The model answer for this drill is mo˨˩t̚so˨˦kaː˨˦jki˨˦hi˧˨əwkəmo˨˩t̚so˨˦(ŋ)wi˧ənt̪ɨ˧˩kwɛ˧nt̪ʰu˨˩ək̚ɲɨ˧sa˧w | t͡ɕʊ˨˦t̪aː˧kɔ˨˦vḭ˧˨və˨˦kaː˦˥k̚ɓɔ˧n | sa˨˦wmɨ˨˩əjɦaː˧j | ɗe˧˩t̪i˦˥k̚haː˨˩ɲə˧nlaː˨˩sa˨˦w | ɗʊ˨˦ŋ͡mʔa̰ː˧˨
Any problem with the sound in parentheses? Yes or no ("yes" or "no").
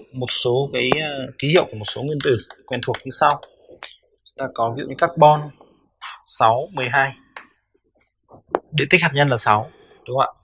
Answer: no